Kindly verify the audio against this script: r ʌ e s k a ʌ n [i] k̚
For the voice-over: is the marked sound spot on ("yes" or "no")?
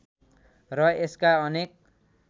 no